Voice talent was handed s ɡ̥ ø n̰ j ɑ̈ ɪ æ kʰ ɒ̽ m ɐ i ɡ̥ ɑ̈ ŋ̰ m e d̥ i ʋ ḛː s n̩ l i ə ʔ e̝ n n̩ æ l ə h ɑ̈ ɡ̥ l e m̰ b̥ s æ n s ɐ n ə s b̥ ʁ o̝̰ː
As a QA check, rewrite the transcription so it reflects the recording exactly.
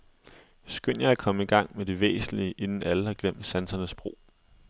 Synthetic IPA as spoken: s ɡ̥ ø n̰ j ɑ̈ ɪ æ kʰ ɒ̽ m ə i ɡ̥ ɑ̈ ŋ̰ m e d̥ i ʋ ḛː s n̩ l i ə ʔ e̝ n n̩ æ l ə h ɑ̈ ɡ̥ l e m̰ d̥ s æ n s ɐ n ə s b̥ ʁ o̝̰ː